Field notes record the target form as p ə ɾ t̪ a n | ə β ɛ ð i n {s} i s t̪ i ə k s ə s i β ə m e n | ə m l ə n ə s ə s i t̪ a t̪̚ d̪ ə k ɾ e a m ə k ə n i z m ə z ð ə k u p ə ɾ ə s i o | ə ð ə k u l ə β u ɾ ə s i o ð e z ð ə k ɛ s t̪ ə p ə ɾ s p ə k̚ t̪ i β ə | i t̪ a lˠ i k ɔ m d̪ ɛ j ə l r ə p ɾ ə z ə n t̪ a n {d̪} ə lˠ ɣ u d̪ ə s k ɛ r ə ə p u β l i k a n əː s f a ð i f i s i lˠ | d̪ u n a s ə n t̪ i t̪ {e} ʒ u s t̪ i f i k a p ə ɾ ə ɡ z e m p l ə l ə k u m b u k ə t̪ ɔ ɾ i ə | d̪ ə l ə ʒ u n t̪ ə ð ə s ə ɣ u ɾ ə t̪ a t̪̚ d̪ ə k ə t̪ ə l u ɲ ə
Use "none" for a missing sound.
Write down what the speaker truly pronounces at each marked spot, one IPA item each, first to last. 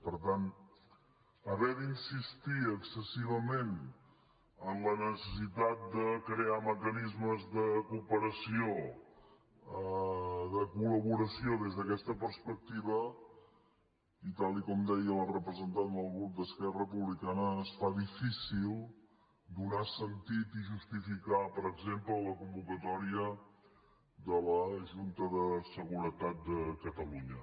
s, d̪, i

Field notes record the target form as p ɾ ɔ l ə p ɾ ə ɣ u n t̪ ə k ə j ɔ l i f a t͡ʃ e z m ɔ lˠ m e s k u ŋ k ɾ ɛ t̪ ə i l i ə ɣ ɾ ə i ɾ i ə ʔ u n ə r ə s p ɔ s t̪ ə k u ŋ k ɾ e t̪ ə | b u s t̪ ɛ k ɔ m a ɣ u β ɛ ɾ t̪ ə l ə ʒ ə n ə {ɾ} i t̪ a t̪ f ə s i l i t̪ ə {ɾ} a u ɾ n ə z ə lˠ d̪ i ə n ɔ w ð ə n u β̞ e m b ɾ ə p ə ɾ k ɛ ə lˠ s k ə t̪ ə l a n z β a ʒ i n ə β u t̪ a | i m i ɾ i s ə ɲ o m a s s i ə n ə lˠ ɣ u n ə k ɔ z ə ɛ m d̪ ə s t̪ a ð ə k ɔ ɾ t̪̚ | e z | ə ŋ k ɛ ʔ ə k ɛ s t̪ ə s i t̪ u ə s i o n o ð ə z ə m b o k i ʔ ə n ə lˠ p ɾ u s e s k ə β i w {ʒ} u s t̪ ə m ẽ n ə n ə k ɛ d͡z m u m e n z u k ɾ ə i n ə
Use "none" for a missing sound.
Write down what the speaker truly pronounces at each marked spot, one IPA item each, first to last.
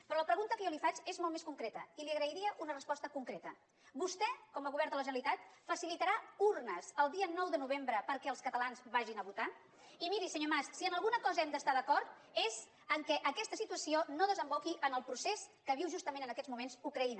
l, ɾ, ʒ

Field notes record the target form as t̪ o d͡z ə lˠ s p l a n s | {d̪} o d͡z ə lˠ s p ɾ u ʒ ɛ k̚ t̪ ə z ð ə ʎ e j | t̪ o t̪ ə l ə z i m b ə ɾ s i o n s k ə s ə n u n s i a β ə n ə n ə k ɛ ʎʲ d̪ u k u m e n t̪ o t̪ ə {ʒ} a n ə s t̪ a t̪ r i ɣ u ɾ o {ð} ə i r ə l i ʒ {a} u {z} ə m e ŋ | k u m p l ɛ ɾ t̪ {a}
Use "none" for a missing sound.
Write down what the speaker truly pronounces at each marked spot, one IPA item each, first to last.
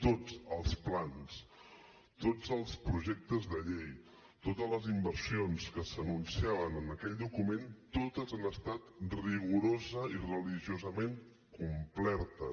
t̪, z, z, i, z, ə

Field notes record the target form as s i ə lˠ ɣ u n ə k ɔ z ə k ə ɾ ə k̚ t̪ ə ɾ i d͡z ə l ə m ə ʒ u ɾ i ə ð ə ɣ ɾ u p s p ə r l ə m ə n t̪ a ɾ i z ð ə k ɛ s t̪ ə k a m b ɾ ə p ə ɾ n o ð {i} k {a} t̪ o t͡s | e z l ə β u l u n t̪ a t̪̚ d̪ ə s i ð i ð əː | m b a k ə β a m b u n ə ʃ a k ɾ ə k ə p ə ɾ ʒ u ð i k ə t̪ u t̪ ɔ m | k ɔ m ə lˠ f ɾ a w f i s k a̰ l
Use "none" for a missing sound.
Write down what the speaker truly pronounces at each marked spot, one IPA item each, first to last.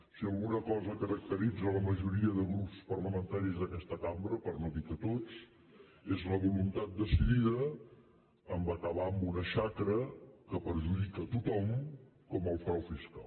i, ə

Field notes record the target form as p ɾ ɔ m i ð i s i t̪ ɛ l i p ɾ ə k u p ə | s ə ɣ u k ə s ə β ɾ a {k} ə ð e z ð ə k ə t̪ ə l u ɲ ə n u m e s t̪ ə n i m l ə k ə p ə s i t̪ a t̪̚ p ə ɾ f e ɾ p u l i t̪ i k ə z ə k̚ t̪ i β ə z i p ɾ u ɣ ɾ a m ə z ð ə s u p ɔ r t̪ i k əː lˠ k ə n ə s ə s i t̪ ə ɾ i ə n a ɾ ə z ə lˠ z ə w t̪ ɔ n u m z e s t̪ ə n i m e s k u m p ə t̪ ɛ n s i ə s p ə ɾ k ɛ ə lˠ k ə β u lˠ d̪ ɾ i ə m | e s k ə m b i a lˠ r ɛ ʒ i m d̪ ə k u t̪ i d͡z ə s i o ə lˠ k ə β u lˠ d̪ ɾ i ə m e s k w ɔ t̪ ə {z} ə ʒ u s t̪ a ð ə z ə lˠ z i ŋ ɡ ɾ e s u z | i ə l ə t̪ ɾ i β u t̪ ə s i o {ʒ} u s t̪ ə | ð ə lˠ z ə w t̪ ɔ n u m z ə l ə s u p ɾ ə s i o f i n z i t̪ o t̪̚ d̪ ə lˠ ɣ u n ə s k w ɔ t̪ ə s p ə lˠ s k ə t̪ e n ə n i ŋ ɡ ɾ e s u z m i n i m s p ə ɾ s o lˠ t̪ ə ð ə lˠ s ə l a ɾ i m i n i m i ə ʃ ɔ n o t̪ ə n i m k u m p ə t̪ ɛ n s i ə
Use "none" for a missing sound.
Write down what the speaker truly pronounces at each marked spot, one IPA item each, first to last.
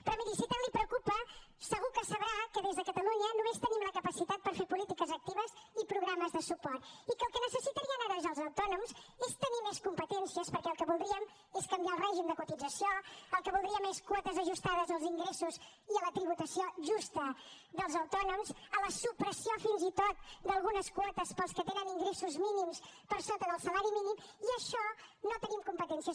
k, z, ʒ

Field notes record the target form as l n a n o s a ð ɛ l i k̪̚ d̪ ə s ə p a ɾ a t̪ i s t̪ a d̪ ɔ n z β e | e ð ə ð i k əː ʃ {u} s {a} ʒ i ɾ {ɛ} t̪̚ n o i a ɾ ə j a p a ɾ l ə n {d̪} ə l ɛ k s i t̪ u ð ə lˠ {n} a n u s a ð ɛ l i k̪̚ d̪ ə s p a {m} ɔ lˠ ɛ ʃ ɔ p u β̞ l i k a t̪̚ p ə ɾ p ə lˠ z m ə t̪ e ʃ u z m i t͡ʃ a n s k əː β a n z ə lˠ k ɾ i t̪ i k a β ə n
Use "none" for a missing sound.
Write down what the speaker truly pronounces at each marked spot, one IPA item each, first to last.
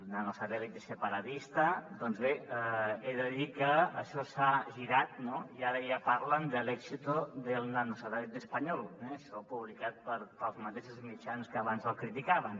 ɔ, a, a, d̪, n, ɲ

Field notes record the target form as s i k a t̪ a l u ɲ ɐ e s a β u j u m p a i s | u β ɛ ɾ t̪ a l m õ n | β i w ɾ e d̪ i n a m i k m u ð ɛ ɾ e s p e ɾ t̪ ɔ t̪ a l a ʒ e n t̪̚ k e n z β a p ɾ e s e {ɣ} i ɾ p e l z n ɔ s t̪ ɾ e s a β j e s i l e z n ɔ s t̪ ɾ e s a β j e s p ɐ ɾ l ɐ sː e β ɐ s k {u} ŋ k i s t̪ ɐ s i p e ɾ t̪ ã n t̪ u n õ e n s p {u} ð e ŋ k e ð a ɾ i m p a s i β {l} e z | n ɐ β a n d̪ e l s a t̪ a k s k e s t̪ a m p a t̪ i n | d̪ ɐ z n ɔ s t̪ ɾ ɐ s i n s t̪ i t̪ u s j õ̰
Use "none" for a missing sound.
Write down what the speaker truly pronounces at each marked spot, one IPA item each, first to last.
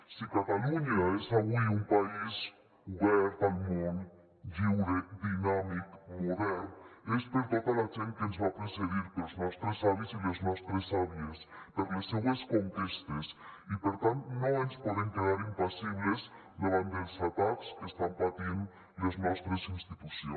ð, o, ɔ, l

